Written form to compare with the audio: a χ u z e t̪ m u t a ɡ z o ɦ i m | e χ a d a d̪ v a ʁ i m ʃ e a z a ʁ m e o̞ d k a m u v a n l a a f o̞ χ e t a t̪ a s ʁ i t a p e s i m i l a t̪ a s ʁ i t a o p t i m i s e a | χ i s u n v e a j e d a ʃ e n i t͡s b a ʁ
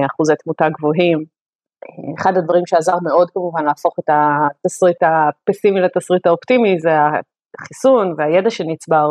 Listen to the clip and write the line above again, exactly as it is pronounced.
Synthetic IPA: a χ u z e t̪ m u t a ɡ v o ɦ i m | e χ a d a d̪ v a ʁ i m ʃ e a z a ʁ m e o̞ d k a m u v a n l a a f o̞ χ e t a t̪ a s ʁ i t a p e s i m i l a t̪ a s ʁ i t a o p t i m i z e a | χ i s u n v e a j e d a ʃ e n i t͡s b a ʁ